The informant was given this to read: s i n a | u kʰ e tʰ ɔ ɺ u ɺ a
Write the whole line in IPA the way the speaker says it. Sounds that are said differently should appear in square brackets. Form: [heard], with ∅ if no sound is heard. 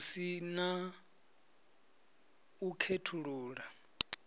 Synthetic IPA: s i n a | u kʰ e tʰ [u] ɺ [uː] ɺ a